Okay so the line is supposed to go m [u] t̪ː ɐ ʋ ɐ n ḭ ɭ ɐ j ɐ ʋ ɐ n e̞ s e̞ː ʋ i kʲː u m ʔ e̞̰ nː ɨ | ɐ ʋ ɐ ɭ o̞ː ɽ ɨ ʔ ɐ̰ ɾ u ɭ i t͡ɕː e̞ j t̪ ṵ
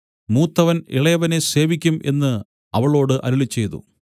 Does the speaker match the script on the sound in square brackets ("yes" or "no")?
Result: no